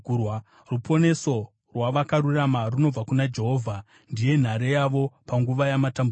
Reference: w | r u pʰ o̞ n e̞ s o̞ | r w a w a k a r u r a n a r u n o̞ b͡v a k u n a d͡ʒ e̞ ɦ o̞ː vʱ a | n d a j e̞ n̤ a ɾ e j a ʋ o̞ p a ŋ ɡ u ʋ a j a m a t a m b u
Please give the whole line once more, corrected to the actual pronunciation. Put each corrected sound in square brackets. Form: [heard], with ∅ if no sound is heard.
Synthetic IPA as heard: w | r u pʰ o̞ n e̞ s o̞ | r w a [ʋ] a k a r u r a [m] a r u n o̞ b͡v a k u n a d͡ʒ e̞ ɦ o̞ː vʱ a | n d [i] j e̞ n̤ a ɾ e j a ʋ o̞ p a ŋ ɡ u ʋ a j a m a t a m b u